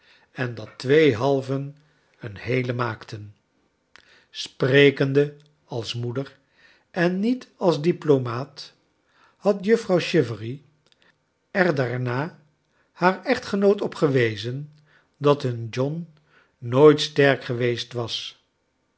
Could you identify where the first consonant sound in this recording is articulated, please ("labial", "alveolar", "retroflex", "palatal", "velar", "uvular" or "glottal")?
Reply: alveolar